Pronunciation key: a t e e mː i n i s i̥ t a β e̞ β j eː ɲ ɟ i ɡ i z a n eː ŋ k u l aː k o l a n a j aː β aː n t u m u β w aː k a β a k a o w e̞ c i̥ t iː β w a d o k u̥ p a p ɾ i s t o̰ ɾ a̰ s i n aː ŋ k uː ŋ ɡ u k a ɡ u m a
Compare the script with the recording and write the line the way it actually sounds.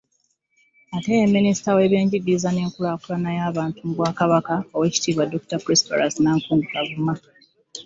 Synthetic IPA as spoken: a t e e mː i n i s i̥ t a w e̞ β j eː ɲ ɟ i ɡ i z a n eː ŋ k u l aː k u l a n a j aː β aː n t u m u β w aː k a β a k a o w e̞ c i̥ t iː β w a d o k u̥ t a p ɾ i s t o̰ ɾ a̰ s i n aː ŋ k uː ŋ ɡ u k a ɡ u m a

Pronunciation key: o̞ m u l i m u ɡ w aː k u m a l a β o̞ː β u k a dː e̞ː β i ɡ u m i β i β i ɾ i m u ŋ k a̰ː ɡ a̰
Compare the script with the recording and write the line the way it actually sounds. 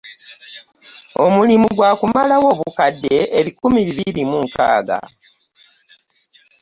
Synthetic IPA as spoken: o̞ m u l i m u ɡ w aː k u m a l a w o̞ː β u k a dː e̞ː β i k u m i β i β i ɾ i m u ŋ k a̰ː ɡ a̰

